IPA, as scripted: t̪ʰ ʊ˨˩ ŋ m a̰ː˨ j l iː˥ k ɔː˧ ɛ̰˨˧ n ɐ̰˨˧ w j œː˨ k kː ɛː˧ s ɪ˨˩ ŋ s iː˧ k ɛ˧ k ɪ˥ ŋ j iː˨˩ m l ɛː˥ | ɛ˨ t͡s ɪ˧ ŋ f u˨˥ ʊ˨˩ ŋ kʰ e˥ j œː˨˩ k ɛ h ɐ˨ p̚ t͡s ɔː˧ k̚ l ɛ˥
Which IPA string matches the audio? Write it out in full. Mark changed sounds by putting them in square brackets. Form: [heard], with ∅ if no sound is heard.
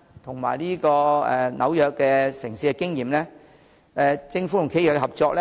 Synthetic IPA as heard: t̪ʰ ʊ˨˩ ŋ m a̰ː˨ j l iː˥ k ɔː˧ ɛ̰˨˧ n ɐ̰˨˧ w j œː˨ k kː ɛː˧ s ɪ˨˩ ŋ s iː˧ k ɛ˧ k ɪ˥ ŋ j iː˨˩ m l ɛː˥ | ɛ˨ t͡s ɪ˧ ŋ f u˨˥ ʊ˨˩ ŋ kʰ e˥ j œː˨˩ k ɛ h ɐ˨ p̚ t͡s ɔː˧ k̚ l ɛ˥